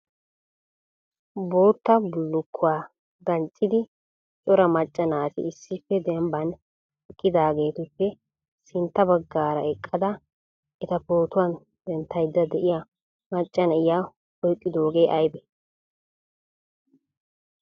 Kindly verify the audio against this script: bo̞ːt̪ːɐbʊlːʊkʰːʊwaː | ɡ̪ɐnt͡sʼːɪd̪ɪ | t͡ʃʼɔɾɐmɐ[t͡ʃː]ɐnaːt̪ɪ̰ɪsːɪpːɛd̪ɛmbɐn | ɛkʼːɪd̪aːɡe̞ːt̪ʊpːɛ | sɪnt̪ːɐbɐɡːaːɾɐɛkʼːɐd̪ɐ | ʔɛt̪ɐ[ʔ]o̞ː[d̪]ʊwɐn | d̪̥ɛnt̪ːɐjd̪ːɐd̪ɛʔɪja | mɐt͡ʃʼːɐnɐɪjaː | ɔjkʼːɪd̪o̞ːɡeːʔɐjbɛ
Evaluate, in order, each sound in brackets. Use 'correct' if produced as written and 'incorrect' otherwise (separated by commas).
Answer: incorrect, incorrect, incorrect